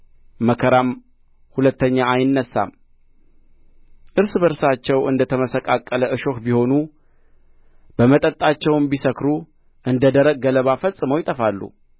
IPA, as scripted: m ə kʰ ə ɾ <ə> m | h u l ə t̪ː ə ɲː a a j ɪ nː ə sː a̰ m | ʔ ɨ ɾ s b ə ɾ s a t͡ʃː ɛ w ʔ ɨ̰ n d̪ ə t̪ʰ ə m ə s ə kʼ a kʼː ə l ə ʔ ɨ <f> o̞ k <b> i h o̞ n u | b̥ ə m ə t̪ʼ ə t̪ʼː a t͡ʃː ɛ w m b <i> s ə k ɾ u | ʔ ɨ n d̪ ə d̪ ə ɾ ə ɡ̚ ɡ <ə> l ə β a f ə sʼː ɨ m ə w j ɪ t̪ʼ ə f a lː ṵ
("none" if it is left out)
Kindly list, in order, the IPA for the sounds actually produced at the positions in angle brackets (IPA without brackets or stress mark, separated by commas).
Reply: a, ʃ, b, i, ə